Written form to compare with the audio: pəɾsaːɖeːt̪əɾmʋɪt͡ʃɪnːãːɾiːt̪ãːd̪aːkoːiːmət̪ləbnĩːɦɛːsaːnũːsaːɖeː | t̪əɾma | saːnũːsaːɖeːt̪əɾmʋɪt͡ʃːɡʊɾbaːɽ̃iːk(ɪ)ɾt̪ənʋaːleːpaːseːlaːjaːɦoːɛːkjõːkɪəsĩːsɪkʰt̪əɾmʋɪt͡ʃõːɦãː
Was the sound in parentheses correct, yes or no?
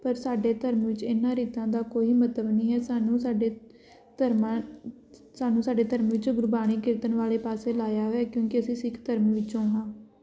yes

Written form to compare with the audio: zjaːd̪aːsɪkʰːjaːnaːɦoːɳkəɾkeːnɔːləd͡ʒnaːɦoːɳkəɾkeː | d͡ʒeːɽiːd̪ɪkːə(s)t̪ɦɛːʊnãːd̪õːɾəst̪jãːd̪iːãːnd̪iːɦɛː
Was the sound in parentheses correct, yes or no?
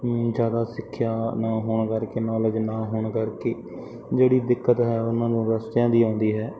no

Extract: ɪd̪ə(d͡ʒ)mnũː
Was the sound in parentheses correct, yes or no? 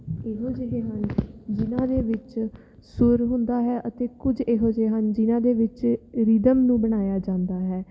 no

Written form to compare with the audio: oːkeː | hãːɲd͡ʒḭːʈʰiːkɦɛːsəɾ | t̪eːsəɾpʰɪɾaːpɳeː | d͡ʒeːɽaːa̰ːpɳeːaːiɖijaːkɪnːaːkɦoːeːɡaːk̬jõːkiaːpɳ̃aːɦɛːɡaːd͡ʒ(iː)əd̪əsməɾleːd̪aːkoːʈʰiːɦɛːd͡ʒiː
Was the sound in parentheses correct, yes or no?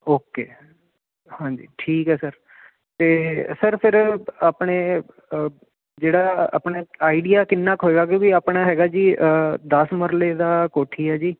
yes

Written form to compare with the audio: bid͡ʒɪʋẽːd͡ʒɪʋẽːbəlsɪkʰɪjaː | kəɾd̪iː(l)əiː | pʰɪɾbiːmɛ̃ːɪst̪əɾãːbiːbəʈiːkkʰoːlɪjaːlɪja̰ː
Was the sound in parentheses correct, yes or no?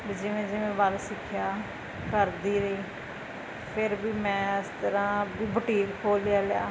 no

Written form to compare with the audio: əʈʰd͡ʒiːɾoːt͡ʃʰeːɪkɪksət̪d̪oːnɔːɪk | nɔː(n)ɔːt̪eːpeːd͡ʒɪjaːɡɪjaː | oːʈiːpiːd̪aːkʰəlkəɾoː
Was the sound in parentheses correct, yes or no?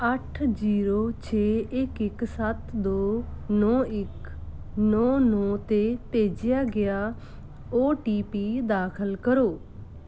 yes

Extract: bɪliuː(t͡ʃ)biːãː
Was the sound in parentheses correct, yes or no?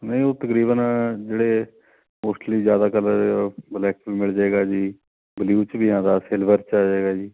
yes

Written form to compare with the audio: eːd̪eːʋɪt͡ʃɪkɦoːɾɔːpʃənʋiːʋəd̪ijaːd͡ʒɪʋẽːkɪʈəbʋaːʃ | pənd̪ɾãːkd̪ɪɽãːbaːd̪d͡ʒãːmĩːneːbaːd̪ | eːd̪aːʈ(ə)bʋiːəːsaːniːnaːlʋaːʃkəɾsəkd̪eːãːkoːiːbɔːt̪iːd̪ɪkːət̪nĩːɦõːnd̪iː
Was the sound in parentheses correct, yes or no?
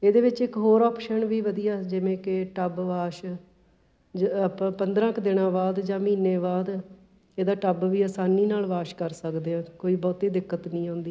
yes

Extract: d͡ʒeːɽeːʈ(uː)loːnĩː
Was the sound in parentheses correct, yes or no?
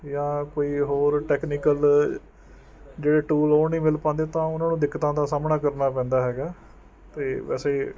yes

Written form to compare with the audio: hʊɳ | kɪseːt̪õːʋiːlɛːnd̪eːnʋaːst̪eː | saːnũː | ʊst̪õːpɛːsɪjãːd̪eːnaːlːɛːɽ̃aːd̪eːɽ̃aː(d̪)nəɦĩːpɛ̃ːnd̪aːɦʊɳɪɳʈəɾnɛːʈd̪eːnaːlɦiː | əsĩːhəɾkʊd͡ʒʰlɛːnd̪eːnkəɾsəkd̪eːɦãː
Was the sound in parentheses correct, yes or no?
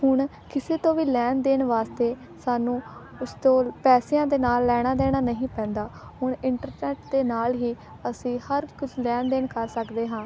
no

